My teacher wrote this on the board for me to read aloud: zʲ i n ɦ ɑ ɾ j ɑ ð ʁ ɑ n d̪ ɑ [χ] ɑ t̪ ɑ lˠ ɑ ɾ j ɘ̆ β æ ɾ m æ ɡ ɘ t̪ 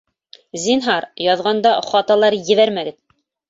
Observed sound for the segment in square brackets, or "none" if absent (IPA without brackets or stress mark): χ